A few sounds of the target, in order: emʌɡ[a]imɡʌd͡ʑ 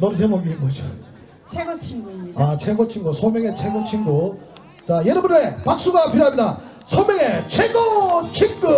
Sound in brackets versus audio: incorrect: i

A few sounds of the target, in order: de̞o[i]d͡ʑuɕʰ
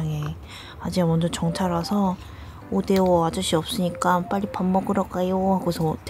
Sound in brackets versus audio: incorrect: a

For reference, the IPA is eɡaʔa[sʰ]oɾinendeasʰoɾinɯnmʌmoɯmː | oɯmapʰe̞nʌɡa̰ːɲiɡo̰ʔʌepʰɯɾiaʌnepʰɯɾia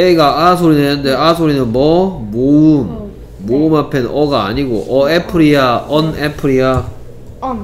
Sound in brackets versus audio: correct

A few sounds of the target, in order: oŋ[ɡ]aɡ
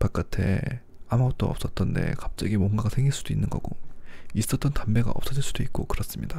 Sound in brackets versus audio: correct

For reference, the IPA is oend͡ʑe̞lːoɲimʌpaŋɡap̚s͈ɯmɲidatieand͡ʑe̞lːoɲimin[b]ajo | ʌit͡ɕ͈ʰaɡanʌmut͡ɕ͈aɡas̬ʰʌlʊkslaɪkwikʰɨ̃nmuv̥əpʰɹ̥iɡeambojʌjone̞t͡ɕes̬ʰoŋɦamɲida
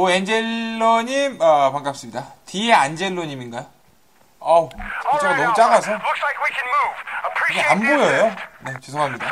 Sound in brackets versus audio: incorrect: ɡ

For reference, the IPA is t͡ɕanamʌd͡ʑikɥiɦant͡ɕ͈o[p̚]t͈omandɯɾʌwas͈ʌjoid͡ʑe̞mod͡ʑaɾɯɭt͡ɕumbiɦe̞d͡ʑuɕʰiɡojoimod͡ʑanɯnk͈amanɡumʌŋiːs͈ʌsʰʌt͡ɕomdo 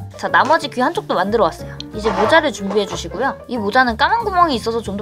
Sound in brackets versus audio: incorrect: k̚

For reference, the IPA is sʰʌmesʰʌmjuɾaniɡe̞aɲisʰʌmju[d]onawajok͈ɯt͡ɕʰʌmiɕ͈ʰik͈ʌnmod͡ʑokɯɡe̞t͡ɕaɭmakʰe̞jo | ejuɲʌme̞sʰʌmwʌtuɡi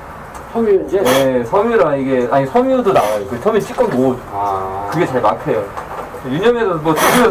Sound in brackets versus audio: correct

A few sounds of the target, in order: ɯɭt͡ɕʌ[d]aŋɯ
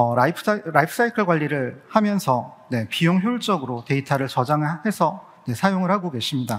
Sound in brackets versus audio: incorrect: d͡ʑ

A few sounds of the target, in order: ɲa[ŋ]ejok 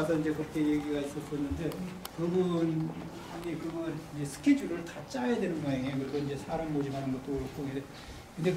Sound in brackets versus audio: correct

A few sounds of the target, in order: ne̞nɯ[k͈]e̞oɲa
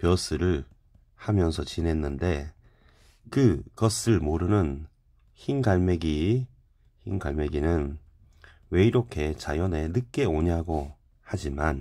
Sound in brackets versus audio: correct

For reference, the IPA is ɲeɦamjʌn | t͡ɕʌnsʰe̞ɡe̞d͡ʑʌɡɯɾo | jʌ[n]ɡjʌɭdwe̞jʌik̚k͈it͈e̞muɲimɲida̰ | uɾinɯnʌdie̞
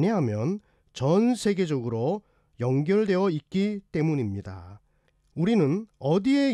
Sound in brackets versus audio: incorrect: ŋ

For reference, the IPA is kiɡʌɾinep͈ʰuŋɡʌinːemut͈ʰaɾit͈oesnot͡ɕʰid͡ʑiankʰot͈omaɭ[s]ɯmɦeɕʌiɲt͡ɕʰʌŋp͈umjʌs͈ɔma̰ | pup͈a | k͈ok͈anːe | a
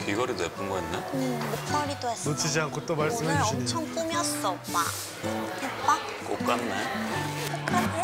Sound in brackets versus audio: correct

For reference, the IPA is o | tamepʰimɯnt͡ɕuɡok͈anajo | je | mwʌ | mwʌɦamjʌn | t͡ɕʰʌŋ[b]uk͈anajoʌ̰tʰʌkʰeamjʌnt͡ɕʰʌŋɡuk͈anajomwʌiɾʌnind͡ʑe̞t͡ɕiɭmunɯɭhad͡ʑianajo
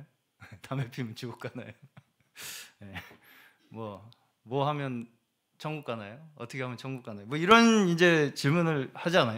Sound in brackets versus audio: incorrect: ɡ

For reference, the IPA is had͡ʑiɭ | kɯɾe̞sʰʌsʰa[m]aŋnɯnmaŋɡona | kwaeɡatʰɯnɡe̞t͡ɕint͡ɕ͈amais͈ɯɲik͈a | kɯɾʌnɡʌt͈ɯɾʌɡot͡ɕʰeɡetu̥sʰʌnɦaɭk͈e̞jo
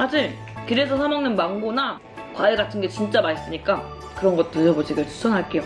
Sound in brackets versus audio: correct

